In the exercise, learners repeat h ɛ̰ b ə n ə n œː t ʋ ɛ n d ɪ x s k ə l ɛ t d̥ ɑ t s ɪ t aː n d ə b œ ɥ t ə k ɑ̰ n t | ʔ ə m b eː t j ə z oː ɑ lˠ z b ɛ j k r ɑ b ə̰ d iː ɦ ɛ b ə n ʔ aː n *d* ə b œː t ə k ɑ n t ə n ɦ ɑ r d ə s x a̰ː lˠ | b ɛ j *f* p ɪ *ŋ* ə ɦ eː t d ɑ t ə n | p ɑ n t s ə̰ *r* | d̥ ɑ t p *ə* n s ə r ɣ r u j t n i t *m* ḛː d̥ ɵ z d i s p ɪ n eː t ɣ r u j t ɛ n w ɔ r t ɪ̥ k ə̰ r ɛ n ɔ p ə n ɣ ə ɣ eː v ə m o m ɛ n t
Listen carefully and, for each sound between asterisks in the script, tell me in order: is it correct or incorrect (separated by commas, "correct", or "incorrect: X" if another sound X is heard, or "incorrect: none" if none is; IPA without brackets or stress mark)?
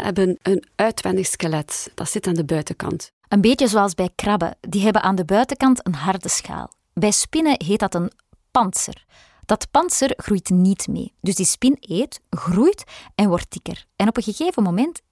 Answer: correct, incorrect: s, incorrect: n, correct, incorrect: ɑ, correct